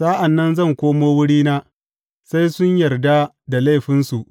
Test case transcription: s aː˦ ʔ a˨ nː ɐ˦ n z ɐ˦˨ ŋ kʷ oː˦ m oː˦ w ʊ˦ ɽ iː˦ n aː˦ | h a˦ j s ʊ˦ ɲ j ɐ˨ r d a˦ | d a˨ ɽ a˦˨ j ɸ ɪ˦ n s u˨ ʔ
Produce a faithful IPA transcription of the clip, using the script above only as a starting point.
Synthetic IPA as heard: s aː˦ ʔ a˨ nː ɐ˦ n z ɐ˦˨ ŋ kʷ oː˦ m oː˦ w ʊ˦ ɽ iː˦ n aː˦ | s a˦ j s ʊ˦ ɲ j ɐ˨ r d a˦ | d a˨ l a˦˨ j ɸ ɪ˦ n s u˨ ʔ